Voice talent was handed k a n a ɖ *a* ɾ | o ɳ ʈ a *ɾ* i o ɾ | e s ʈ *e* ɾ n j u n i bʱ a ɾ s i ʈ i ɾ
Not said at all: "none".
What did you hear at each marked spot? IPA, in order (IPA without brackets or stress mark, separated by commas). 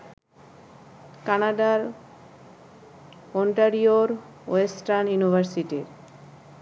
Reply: a, ɾ, a